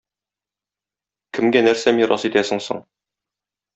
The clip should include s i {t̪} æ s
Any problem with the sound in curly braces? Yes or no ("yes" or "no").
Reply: no